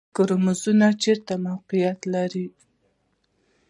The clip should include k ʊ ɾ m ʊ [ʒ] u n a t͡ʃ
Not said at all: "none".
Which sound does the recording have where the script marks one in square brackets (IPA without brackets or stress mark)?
z